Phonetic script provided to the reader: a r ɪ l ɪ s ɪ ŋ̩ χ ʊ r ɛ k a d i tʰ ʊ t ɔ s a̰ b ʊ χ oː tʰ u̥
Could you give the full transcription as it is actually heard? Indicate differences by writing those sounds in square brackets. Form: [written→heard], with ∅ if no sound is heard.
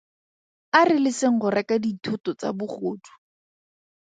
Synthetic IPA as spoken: a r ɪ l ɪ s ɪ ŋ̩ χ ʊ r ɛ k a d i tʰ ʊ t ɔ [s→t͡s] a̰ b ʊ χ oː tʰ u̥